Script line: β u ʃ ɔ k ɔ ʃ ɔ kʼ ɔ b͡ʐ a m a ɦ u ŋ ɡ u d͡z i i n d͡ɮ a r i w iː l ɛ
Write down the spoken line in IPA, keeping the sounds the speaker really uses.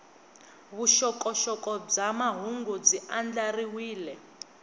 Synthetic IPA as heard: β u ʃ ɔ k ɔ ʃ ɔ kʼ ɔ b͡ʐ a m a ɦ u ŋ ɡ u d͡z i a n d͡ɮ a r i w iː l ɛ